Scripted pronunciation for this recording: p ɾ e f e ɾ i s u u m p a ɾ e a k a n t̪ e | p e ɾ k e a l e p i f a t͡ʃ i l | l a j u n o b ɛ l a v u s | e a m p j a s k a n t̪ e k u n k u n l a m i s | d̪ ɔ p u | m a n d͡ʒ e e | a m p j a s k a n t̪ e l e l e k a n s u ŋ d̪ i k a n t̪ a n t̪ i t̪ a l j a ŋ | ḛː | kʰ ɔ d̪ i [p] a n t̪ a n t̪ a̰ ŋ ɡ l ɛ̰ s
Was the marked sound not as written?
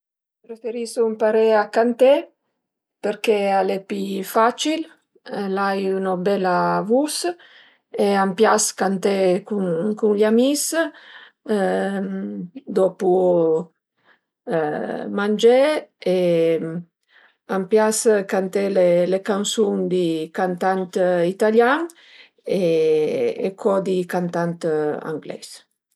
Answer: yes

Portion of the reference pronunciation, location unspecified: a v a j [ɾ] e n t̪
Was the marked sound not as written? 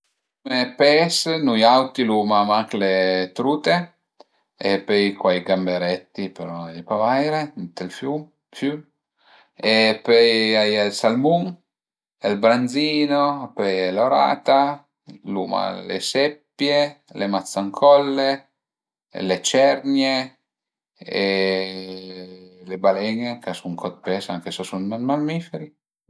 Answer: no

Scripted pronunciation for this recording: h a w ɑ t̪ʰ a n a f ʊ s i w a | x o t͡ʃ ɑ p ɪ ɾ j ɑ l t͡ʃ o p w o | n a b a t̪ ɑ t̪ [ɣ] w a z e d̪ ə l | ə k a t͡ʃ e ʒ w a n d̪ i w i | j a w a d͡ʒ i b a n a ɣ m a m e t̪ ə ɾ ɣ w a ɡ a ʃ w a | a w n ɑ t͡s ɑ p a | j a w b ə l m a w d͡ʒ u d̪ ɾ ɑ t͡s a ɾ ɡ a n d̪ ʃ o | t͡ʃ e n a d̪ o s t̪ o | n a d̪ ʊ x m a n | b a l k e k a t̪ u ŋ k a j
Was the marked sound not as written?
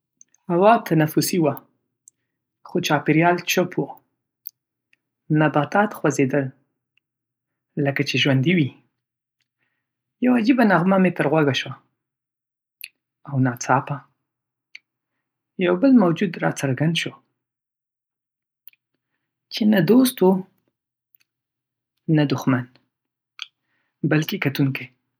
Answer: yes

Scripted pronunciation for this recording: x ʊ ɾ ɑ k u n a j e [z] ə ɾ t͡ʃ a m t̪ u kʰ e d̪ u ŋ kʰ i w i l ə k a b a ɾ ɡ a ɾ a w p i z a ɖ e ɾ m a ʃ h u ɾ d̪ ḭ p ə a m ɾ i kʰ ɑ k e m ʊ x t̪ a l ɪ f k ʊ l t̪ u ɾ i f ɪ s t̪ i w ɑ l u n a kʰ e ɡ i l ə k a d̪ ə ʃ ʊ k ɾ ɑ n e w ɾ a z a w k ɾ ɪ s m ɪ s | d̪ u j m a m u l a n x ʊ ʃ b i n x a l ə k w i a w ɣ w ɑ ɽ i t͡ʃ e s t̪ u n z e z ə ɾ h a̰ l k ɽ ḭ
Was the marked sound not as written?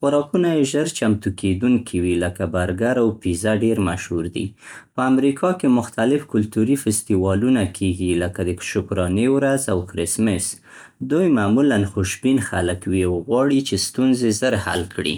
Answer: yes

